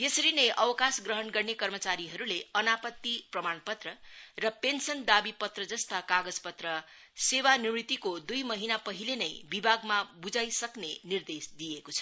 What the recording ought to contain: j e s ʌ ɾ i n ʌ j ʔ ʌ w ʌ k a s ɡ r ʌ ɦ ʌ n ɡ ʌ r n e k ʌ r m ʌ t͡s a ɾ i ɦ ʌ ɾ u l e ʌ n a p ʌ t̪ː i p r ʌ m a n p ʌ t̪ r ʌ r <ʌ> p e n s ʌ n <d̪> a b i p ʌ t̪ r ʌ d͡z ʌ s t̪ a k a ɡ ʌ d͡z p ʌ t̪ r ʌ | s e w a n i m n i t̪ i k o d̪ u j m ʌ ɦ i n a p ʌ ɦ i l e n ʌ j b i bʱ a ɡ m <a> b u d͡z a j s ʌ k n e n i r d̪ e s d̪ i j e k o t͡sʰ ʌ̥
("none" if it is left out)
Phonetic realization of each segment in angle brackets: ʌ, d̪, a

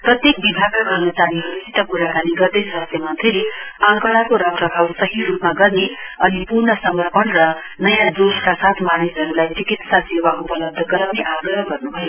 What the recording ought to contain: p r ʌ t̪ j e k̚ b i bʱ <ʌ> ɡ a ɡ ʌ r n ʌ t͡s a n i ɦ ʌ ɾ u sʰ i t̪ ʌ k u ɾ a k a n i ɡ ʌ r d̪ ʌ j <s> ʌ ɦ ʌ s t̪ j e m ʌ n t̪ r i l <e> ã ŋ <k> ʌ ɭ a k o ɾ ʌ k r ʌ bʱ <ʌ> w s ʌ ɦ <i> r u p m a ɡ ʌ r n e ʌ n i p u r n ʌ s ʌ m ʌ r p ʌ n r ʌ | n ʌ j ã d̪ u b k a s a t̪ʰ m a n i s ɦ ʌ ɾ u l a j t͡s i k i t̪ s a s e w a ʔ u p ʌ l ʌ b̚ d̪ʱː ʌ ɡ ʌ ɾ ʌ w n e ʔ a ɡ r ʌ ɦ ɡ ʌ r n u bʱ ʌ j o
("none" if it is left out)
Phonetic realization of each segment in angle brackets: a, s, e, k, a, i

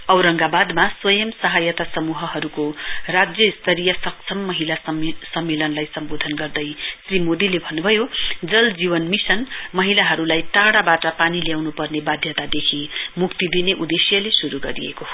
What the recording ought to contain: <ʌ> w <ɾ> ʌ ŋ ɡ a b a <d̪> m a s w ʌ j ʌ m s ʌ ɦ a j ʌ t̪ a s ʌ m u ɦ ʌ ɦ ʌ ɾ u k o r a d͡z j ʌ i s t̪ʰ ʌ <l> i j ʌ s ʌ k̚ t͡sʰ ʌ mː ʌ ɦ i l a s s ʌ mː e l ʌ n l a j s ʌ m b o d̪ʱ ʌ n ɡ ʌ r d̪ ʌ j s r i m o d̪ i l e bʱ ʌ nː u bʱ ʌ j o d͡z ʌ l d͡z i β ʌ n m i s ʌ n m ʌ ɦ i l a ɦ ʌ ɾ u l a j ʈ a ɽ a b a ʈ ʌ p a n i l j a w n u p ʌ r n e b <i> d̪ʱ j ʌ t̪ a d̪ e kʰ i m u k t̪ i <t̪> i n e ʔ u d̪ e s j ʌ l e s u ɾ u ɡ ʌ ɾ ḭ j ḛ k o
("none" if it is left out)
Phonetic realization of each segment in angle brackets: ʌ, ɾ, d̪, ɾ, a, d̪

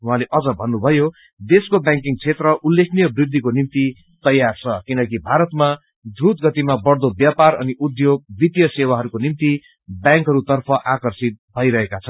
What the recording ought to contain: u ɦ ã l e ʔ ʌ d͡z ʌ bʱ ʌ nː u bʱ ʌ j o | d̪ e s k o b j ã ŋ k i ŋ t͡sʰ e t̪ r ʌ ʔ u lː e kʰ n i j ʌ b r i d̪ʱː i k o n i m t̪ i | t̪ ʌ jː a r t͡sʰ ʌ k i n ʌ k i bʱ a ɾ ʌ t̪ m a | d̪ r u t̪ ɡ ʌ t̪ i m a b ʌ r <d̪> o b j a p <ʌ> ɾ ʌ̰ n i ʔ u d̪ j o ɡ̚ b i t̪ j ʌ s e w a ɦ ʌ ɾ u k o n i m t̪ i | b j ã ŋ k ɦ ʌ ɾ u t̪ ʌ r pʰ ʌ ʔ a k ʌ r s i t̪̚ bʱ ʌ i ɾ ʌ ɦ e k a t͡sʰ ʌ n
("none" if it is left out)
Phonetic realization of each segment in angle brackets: d̪, a

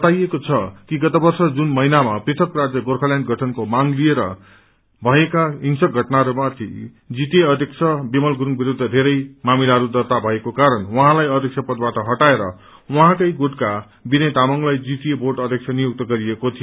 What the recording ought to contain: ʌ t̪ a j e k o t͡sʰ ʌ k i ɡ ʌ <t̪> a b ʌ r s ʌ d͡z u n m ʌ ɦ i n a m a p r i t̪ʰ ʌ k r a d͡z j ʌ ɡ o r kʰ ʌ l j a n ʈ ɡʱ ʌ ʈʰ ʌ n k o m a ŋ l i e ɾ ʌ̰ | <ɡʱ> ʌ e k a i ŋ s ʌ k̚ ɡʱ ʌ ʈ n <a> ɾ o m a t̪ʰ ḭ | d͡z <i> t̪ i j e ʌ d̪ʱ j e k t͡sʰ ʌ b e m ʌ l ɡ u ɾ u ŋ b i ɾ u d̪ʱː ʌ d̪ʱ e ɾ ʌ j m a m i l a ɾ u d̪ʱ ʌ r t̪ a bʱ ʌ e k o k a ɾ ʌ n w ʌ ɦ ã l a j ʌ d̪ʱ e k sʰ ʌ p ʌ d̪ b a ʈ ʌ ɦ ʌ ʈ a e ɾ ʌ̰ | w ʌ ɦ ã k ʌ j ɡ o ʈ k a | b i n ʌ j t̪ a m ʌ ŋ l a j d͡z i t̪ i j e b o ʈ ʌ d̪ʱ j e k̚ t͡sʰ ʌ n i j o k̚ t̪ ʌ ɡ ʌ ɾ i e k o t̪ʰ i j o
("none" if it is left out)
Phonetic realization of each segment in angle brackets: t̪, bʱ, a, i

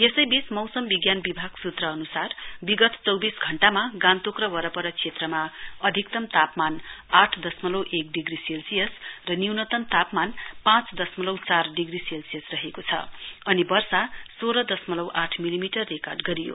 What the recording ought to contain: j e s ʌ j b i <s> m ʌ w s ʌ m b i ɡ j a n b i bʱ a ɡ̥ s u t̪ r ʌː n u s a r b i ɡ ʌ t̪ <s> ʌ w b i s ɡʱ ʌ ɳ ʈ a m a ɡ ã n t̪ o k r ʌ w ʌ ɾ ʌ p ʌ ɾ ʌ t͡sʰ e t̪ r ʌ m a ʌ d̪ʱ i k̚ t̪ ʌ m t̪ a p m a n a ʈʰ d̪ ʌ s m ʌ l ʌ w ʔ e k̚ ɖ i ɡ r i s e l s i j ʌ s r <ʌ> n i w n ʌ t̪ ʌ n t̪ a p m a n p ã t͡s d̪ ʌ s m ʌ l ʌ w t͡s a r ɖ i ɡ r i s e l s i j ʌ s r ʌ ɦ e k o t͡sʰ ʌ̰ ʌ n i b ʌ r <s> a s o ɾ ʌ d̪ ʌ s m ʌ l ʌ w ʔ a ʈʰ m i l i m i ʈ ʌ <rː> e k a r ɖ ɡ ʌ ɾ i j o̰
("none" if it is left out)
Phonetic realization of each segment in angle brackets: s, t͡s, ʌ, s, rː

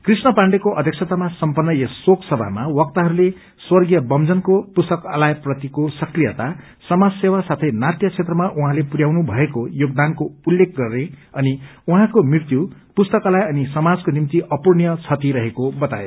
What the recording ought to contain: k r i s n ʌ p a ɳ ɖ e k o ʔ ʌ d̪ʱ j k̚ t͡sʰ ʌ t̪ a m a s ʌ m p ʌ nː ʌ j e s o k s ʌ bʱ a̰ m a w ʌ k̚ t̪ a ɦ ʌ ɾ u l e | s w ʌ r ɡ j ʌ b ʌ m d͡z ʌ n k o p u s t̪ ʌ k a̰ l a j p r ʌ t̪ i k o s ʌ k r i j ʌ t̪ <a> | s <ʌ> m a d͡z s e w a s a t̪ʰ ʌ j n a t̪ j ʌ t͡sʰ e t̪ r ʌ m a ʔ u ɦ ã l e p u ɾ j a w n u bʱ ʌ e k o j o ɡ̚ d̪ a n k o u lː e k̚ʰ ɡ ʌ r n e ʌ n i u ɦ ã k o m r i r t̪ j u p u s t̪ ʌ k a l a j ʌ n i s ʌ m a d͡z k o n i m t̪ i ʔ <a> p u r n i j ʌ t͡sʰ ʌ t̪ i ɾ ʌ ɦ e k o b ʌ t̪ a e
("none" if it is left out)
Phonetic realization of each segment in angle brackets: a, ʌ, ʌ

